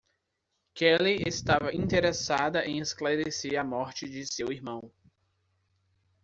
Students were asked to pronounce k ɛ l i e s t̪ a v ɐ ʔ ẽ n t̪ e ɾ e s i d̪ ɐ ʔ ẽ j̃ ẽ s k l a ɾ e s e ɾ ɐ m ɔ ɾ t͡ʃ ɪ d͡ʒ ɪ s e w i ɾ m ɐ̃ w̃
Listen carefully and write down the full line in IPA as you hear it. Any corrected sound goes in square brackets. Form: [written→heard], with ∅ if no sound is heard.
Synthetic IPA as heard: k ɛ l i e s t̪ a v ɐ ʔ [ẽ→ĩ] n t̪ e ɾ e s [i→a] d̪ ɐ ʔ ẽ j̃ [ẽ→e] s k l a ɾ e s e ɾ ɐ m ɔ ɾ t͡ʃ ɪ d͡ʒ ɪ s e w i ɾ m ɐ̃ w̃